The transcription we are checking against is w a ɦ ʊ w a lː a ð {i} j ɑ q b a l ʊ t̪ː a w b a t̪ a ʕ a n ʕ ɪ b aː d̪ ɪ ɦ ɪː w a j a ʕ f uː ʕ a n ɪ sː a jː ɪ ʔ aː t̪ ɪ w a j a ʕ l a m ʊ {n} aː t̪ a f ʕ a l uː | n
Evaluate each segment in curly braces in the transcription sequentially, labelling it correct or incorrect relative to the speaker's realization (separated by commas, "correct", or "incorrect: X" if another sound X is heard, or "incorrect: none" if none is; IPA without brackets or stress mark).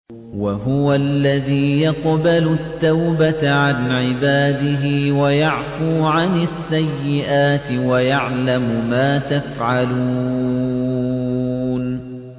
incorrect: iː, incorrect: m